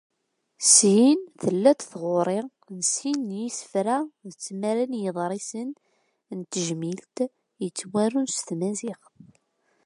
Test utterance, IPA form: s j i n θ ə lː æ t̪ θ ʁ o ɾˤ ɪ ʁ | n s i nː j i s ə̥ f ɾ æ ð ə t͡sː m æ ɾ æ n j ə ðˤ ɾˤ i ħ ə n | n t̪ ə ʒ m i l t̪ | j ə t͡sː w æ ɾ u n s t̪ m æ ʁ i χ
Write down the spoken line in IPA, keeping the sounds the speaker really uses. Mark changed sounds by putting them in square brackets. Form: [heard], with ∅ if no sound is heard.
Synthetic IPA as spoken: s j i n θ ə lː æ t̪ θ ʁ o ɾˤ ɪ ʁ | n s i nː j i s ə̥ f ɾ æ ð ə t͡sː m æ ɾ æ n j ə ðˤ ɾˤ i [s] ə n | n t̪ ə ʒ m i l t̪ | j ə t͡sː w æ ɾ u n s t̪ m æ [z] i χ